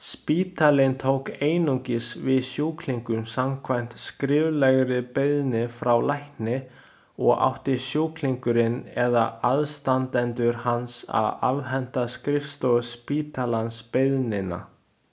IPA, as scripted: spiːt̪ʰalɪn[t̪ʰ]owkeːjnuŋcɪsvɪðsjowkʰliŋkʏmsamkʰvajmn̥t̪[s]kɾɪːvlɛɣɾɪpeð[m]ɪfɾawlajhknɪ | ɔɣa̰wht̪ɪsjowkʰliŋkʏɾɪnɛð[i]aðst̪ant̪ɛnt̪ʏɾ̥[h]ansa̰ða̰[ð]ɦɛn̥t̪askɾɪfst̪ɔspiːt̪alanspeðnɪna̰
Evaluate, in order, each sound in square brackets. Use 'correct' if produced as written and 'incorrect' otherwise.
correct, correct, incorrect, incorrect, correct, incorrect

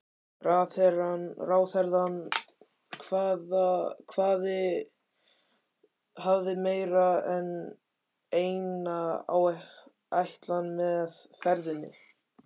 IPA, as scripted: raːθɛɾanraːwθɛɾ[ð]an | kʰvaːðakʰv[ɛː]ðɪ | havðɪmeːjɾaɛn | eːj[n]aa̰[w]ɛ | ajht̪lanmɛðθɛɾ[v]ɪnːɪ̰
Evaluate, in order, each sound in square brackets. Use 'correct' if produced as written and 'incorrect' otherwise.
correct, incorrect, correct, correct, incorrect

